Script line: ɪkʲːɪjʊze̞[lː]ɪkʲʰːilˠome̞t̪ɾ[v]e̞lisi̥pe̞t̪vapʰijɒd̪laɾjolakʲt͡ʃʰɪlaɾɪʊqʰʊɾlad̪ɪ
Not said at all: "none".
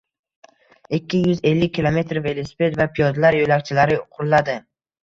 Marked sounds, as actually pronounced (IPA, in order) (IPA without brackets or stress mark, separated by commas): lː, v